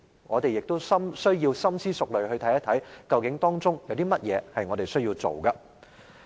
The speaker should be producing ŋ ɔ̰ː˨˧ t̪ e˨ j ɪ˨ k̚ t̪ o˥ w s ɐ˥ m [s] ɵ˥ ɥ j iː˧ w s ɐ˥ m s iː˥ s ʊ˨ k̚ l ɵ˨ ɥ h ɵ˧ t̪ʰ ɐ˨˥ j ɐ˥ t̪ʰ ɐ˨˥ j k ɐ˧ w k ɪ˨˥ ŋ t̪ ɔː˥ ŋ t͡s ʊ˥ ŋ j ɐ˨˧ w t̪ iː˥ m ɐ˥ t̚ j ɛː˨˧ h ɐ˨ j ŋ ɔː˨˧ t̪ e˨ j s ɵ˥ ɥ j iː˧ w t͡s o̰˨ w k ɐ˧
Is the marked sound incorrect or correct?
correct